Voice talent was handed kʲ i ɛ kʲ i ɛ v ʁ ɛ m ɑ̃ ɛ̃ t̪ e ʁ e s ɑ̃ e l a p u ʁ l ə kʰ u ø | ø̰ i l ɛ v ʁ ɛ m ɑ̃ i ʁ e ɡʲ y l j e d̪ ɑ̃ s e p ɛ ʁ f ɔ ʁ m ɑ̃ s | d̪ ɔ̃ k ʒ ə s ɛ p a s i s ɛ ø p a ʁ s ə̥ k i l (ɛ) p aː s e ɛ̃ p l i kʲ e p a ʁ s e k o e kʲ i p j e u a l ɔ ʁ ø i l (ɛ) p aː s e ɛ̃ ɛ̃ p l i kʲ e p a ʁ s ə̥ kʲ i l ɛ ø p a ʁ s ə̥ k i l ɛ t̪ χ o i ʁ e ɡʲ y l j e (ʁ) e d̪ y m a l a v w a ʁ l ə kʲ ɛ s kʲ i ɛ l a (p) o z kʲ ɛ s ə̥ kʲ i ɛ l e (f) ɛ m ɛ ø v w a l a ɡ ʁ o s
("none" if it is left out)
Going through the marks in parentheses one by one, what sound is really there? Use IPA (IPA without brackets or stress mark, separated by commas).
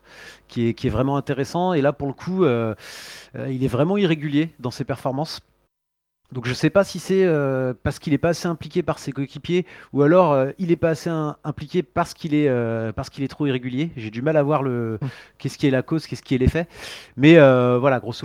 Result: ɛ, ɛ, ʒ, k, f